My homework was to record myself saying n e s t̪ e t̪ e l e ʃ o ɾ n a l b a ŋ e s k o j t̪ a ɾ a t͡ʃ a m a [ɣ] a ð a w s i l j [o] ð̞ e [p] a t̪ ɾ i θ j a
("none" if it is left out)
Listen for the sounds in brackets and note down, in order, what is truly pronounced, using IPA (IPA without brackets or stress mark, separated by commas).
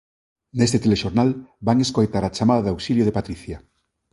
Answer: ð, o, p